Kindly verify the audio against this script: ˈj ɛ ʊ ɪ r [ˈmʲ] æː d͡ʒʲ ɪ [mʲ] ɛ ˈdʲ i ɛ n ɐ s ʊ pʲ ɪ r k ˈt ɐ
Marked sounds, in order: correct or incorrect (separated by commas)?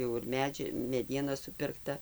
correct, correct